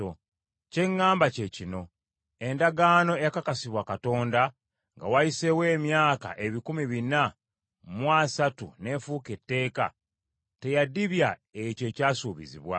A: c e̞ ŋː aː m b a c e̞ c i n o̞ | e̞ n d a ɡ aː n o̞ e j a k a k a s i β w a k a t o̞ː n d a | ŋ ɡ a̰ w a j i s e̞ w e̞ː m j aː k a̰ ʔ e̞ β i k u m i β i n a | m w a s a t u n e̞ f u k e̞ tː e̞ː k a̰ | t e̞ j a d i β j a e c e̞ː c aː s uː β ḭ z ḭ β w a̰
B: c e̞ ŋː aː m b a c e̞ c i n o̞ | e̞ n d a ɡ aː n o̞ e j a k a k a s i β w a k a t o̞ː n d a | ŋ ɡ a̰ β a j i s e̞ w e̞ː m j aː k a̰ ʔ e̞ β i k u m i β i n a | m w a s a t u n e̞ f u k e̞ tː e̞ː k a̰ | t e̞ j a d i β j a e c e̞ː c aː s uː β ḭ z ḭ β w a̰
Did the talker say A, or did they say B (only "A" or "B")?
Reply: A